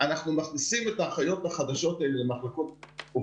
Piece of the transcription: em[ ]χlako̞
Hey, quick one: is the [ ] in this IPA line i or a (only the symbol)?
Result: a